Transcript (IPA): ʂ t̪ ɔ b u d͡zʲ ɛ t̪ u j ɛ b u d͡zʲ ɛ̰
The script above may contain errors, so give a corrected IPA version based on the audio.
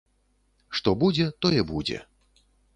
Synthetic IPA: ʂ t̪ ɔ b u d͡zʲ ɛ t̪ ɔ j ɛ b u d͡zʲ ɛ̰